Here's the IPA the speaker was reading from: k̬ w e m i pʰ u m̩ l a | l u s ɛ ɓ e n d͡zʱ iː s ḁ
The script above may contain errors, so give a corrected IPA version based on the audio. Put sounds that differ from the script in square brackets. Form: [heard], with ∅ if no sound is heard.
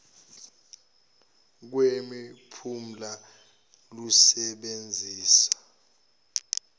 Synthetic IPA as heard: k̬ w e m i pʰ u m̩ l a | l u s ɛ ɓ e n d͡zʱ iː s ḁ